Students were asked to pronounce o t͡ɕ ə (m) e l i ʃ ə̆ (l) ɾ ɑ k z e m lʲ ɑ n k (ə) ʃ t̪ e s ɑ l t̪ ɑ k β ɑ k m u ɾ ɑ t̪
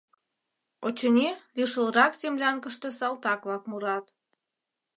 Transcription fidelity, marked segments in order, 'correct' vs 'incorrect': incorrect: n, correct, correct

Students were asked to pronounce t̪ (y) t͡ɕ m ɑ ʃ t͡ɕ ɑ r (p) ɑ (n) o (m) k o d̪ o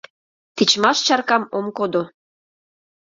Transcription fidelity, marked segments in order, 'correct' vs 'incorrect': incorrect: i, incorrect: k, incorrect: m, correct

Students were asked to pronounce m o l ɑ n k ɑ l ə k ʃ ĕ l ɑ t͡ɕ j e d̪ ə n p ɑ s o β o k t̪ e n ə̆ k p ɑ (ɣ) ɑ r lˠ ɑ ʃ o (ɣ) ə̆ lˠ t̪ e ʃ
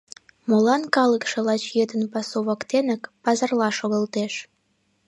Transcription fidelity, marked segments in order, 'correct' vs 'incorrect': incorrect: z, correct

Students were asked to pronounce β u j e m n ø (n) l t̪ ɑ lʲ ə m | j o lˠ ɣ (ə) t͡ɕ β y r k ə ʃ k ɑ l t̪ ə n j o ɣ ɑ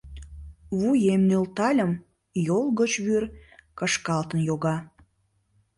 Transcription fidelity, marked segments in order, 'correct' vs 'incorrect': incorrect: none, correct

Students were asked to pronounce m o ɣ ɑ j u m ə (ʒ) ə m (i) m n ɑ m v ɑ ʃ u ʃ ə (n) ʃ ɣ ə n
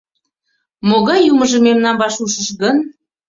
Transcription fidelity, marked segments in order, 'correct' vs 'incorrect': correct, incorrect: e, incorrect: none

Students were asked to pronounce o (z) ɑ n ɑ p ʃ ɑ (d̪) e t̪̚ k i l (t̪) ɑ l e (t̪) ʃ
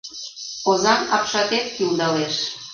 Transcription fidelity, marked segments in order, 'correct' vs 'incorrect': correct, incorrect: t̪, incorrect: d̪, incorrect: none

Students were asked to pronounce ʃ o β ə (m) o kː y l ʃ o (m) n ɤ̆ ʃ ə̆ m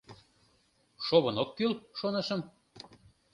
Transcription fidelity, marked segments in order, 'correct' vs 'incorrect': incorrect: n, incorrect: none

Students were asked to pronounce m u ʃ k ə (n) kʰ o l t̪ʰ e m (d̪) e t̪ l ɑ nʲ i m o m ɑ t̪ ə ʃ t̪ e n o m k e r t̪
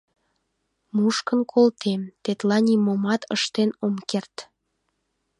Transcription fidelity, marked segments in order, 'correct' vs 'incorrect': correct, incorrect: t̪

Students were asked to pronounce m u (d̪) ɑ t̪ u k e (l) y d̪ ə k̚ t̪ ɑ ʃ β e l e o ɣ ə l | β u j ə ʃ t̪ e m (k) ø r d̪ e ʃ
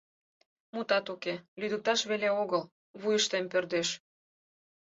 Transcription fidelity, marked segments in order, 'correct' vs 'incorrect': incorrect: t̪, correct, incorrect: p

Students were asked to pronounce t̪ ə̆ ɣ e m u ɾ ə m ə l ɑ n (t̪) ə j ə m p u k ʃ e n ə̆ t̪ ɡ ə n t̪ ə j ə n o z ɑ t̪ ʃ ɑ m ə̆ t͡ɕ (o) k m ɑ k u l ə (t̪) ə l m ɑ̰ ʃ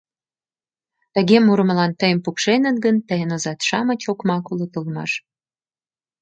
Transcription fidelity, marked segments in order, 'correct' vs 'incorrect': correct, correct, correct

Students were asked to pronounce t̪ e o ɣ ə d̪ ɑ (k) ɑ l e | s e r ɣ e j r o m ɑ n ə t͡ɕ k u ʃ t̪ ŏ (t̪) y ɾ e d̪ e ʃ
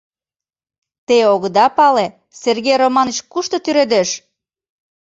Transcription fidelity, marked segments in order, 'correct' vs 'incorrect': incorrect: p, correct

